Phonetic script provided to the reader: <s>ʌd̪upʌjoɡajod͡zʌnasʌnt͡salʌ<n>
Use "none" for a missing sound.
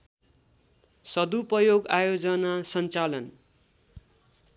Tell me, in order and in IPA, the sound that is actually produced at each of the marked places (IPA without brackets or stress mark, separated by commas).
s, n